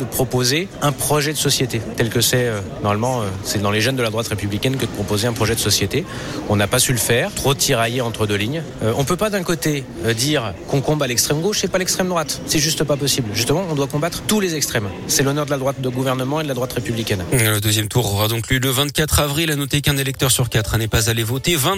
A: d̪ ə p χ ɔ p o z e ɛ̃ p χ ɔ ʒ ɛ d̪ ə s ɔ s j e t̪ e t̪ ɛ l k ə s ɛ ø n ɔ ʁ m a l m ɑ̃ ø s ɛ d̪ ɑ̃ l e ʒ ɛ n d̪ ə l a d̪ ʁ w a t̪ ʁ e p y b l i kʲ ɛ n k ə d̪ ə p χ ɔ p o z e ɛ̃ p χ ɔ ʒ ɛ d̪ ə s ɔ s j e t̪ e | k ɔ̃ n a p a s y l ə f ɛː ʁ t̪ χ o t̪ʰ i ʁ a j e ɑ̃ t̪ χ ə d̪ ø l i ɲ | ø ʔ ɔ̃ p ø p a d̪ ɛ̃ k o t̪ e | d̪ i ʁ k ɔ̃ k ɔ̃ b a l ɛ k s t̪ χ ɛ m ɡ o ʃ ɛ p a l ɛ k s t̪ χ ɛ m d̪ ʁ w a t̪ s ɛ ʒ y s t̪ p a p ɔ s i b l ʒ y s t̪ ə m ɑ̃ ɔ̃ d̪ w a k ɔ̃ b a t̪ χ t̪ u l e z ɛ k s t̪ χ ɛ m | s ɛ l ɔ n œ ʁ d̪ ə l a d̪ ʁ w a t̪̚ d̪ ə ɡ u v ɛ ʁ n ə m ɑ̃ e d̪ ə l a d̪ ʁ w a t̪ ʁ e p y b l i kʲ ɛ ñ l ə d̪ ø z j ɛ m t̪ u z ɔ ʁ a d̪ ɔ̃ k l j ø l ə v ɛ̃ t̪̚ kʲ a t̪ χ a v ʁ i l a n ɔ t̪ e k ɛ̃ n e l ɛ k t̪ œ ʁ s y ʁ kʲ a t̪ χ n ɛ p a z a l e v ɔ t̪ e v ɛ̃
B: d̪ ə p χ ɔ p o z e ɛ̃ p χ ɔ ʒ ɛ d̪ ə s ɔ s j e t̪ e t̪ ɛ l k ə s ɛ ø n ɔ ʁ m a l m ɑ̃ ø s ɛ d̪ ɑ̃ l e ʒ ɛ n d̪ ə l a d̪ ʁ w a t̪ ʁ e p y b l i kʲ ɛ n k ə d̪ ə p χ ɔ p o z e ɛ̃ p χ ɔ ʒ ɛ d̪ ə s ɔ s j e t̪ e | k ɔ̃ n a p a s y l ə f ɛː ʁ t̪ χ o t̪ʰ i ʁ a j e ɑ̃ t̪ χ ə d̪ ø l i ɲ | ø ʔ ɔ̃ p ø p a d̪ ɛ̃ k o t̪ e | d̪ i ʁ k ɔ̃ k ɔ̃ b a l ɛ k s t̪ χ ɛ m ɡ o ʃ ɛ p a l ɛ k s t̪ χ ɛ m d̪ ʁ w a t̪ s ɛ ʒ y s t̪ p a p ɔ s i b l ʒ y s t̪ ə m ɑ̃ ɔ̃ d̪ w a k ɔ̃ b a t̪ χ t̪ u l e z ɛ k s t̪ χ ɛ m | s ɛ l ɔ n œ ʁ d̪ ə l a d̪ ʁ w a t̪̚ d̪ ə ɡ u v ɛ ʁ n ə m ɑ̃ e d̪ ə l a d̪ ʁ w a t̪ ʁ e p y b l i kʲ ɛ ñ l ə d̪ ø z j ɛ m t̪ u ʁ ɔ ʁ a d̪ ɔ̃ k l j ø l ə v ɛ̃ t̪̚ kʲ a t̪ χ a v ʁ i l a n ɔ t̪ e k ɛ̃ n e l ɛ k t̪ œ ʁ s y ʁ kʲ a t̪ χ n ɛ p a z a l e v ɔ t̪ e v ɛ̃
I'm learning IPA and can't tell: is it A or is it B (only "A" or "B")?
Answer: B